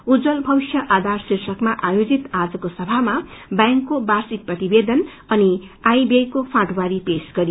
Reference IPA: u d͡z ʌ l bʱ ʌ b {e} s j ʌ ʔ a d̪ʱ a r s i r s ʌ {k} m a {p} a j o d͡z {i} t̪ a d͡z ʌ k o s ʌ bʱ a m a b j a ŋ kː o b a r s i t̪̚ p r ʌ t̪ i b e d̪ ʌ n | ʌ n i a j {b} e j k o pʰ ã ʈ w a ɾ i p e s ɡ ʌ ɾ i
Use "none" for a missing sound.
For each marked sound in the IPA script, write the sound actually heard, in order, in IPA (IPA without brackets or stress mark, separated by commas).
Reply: i, k, ʔ, i, b